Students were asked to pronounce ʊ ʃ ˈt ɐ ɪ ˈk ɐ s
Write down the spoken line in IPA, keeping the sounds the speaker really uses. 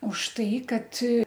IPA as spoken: ʊ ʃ ˈt ɐ ɪ ˈk ɐ t